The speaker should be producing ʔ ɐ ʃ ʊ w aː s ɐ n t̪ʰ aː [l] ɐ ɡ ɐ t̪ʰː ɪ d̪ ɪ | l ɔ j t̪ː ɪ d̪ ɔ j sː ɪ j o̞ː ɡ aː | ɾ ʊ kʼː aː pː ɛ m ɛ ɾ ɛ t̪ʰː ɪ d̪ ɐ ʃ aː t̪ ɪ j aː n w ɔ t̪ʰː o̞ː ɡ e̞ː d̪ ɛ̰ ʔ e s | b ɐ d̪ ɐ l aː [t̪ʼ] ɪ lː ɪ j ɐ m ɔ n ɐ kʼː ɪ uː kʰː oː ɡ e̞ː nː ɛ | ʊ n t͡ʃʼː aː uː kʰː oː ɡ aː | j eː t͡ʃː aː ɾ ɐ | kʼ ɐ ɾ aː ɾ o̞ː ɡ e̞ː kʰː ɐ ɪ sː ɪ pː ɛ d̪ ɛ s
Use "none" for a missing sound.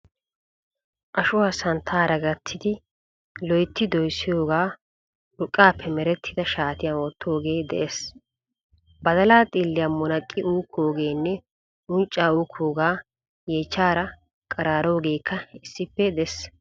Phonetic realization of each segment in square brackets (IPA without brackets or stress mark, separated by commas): ɾ, t̪ʼ